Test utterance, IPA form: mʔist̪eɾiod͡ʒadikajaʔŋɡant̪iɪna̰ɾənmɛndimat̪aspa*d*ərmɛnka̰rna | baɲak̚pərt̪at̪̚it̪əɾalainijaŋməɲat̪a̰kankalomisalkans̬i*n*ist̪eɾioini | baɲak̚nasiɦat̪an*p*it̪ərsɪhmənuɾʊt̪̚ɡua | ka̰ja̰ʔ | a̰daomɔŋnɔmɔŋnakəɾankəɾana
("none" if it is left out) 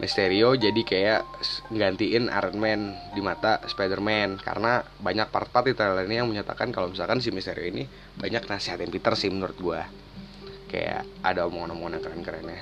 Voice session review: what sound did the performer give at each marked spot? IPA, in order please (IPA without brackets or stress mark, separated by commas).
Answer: d, m, p